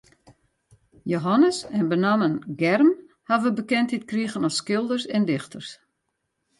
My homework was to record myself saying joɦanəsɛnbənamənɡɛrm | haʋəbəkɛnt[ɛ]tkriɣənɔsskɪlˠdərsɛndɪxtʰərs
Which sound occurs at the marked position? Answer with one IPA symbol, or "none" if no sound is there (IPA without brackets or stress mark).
i